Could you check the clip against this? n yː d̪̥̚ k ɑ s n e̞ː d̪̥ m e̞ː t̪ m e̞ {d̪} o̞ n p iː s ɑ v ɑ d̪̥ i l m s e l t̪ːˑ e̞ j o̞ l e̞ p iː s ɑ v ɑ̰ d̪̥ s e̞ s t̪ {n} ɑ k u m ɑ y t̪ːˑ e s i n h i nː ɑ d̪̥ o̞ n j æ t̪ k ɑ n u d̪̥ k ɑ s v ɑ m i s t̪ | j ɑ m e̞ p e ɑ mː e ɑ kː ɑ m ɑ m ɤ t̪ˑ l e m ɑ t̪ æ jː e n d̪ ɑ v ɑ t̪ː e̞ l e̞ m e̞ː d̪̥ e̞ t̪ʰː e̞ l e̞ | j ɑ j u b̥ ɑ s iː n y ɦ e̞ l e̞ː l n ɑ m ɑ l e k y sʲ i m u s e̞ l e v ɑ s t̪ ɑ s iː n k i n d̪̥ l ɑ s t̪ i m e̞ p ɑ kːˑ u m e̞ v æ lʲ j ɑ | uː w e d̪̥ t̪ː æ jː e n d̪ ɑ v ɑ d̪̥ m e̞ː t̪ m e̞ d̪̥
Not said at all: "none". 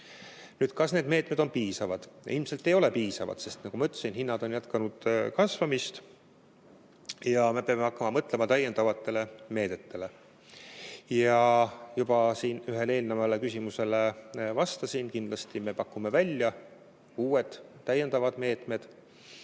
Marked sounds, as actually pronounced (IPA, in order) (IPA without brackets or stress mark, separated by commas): d̪, n